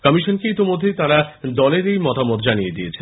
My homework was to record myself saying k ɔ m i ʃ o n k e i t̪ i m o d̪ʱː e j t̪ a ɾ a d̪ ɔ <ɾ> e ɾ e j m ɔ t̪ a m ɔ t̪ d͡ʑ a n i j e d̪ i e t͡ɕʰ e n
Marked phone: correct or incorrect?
incorrect